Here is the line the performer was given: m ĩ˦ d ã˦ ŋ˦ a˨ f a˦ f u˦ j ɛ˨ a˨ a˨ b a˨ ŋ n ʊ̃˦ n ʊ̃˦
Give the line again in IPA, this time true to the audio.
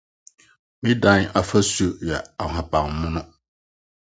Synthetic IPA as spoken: m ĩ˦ d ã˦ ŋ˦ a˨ f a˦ s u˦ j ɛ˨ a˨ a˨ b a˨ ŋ m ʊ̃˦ n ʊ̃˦